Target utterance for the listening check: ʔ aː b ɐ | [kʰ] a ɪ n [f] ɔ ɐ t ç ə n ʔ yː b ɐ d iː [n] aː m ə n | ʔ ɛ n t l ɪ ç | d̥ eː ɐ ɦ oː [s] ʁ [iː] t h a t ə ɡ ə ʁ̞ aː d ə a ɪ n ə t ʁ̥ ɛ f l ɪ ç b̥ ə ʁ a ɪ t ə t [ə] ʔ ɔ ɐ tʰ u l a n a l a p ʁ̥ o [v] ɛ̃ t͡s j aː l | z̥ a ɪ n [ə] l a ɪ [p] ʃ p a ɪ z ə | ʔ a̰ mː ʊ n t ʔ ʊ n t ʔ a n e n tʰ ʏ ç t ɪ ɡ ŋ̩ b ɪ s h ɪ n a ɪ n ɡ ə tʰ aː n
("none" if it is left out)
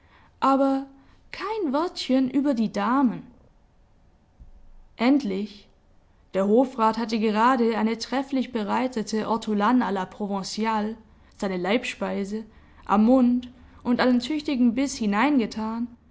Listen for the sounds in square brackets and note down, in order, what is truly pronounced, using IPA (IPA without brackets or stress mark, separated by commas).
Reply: kʰ, v, d, f, aː, ə, v, ə, p